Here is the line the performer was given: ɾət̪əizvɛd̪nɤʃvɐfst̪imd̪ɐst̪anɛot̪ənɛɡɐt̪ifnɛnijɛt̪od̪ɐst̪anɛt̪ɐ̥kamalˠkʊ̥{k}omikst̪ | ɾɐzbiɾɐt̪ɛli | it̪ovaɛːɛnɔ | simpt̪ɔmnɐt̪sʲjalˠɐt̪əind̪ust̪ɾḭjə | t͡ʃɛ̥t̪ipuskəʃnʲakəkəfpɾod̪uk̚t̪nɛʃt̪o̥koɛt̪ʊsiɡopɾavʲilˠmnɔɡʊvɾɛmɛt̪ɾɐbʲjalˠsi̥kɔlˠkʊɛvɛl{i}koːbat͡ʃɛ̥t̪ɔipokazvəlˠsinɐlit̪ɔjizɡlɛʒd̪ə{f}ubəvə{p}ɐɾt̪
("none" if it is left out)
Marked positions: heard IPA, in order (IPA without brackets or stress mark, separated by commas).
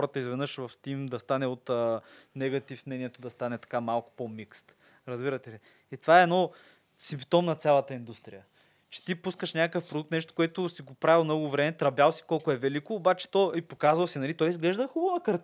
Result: p, i, x, k